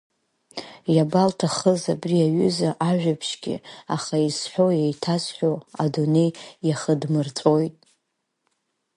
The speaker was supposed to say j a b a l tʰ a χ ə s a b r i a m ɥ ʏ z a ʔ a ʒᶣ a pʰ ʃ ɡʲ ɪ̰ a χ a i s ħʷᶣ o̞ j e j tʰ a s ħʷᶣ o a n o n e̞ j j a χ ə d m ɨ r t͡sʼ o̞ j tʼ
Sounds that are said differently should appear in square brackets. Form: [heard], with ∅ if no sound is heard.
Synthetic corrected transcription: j a b a l tʰ a χ ə [z] a b r i a [∅] ɥ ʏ z a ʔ a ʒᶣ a pʰ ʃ ɡʲ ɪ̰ a χ a i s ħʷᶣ o̞ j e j tʰ a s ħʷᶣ o a [d] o n e̞ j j a χ ə d m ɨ r t͡sʼ o̞ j tʼ